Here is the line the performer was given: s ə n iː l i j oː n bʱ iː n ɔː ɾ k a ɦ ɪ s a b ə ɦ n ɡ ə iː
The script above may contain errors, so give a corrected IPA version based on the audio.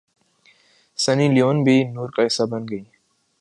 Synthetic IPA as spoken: s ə n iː l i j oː n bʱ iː n uː ɾ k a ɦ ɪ s a b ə n ɡ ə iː

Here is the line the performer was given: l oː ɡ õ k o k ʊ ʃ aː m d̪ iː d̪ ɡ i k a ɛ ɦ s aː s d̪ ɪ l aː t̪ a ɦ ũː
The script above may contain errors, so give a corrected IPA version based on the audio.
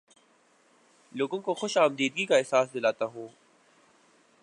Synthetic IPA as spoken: l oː ɡ õ k o x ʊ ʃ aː m d̪ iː d̪ ɡ i k a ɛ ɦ s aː s d̪ ɪ l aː t̪ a ɦ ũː

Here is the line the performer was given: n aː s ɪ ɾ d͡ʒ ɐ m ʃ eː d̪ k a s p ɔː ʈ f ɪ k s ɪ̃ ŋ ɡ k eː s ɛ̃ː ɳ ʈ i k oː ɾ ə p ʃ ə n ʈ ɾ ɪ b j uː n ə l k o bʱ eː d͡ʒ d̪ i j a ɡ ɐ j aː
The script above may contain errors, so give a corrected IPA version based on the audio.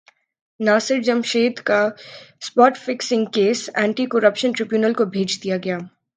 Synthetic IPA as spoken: n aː s ɪ ɾ d͡ʒ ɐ m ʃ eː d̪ k a s p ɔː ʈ f ɪ k s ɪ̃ ŋ ɡ k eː s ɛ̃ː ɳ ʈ i k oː ɾ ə p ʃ ə n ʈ ɾ ɪ b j uː n ə l k o bʱ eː d͡ʒ d̪ i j a ɡ ɐ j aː

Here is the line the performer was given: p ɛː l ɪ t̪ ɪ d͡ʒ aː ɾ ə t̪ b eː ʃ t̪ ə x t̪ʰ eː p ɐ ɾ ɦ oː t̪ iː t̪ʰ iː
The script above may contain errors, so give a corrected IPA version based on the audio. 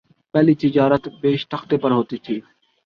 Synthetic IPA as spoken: p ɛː l i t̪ ɪ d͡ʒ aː ɾ ə t̪ b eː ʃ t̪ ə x t̪ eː p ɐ ɾ ɦ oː t̪ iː t̪ʰ iː

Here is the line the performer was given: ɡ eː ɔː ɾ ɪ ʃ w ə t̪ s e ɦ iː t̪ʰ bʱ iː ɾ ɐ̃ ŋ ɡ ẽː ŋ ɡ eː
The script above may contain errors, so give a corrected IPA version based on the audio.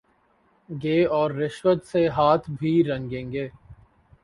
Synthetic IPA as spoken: ɡ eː ɔː ɾː ɪ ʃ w ə t̪ s e ɦ aː t̪ʰ bʱ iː ɾ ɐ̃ ŋ ɡ ẽː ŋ ɡ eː

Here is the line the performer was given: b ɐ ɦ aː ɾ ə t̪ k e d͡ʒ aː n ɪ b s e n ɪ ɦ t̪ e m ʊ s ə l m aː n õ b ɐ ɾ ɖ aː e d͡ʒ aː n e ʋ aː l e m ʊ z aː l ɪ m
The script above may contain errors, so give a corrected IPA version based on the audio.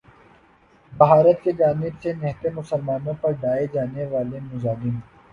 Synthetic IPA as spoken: b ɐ ɦ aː ɾ ə t̪ k e d͡ʒ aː n ɪ b s e n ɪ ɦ t̪ e m ʊ s ə l m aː n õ p ɐ ɾ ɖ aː e d͡ʒ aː n e ʋ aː l e m ʊ z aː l ɪ m

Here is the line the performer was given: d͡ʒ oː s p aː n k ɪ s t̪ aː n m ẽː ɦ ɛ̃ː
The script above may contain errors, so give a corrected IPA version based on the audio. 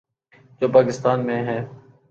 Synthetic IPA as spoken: d͡ʒ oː p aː k ɪ s t̪ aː n m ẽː ɦ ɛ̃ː

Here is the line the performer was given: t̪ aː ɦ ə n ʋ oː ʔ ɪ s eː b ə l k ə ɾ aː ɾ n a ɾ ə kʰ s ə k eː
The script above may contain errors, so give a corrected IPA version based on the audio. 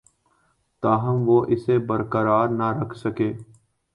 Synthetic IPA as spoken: t̪ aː ɦ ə m ʋ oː ʔ ɪ s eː b ə ɾ k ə ɾ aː ɾ n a ɾ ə kʰ s ə k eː

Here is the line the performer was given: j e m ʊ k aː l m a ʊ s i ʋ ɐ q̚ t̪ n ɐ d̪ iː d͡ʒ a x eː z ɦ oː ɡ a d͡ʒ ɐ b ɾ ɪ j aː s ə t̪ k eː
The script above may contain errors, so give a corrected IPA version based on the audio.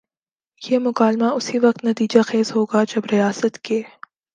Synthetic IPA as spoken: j e m ʊ k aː l m a ʊ s i ʋ ɐ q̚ t̪ n ɐ t̪ iː d͡ʒ a x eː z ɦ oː ɡ a d͡ʒ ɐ b ɾ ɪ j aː s ə t̪ k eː

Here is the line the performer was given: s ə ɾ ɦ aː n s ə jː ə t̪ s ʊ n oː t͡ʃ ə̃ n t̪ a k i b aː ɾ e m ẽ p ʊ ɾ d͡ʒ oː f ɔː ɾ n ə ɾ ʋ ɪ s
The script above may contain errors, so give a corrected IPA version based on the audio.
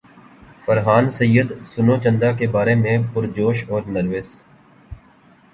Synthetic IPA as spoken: f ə ɾ ɦ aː n s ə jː ə d̪ s ʊ n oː t͡ʃ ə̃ n d̪ a k e b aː ɾ e m ẽ p ʊ ɾ d͡ʒ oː ʃ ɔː ɾ n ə ɾ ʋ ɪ s

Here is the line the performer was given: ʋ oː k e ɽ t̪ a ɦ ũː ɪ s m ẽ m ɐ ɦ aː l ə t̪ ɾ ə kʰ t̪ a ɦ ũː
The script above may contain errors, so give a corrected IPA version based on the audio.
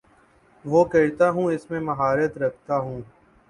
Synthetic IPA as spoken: ʋ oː k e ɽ t̪ a ɦ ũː ɪ s m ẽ m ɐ ɦ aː ɾ ə t̪ ɾ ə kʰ t̪ a ɦ ũː

